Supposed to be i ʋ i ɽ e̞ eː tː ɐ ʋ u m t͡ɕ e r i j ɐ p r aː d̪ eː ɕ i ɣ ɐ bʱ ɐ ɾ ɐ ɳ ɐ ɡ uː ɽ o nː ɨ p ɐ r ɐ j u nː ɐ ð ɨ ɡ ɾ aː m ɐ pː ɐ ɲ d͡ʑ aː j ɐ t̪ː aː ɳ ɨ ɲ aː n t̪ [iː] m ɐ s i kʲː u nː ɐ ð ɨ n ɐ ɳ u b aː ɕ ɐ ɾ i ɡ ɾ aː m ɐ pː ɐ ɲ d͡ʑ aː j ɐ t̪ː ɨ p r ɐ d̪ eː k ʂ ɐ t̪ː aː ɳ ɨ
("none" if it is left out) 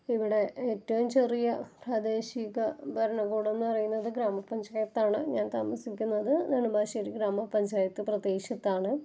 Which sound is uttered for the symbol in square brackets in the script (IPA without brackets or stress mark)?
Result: aː